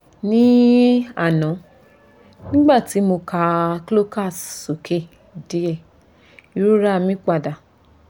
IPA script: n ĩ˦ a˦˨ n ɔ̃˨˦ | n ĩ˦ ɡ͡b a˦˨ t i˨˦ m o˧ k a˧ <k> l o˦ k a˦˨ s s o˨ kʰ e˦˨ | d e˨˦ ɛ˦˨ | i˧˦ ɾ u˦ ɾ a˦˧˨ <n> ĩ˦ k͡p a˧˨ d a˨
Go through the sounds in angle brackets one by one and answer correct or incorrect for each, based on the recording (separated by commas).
correct, incorrect